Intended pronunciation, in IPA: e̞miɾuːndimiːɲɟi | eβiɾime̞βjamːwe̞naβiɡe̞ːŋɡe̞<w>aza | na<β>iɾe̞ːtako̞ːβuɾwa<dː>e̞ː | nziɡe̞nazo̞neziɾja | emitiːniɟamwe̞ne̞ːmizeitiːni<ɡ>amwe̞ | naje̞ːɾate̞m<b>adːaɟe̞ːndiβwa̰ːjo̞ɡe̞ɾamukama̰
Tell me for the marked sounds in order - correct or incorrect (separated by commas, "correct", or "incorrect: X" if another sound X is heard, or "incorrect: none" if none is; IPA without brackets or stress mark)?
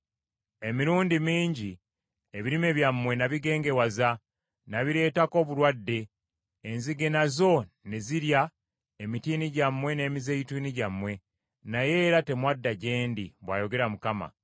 correct, correct, correct, incorrect: ɟ, incorrect: w